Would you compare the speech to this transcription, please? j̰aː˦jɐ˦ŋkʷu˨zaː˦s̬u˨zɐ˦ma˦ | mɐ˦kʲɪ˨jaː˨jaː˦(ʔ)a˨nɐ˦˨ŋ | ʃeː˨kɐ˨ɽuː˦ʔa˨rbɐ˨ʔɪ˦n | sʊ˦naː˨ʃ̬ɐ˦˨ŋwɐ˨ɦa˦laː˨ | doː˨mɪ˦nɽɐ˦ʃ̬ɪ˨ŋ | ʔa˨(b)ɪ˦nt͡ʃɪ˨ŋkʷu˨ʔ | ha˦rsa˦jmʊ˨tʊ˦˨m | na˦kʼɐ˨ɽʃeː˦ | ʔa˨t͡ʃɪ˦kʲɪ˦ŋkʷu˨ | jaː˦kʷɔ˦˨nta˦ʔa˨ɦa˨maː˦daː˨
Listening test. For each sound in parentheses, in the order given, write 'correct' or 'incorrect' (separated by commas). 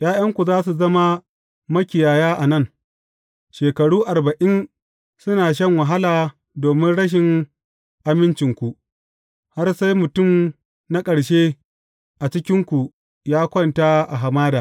correct, incorrect